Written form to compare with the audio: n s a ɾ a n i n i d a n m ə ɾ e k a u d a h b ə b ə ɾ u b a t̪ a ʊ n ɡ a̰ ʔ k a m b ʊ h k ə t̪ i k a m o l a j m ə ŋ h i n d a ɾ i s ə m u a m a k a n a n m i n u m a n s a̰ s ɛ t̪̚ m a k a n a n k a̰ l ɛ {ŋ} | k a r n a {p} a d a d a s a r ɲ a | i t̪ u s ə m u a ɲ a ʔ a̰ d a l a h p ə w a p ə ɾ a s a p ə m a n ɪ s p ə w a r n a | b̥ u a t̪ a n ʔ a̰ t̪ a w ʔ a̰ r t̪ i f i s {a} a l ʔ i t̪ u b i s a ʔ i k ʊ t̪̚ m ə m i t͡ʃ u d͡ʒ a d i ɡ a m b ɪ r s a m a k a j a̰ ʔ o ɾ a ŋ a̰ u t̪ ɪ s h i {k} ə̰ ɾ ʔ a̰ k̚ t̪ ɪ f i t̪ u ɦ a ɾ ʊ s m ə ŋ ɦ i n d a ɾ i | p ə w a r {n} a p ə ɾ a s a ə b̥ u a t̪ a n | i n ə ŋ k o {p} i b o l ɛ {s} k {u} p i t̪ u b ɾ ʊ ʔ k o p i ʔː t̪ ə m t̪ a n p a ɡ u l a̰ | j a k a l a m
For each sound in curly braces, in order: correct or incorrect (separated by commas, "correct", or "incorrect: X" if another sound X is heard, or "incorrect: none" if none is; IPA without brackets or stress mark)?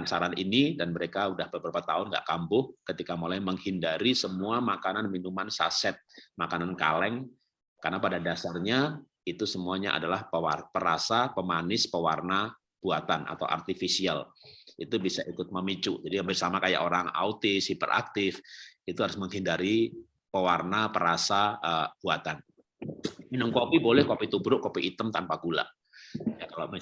correct, correct, incorrect: i, incorrect: p, correct, correct, incorrect: h, incorrect: o